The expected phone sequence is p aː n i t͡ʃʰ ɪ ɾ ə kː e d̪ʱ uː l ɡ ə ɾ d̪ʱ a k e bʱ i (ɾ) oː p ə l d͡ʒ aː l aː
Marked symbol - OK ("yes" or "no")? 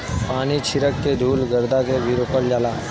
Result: yes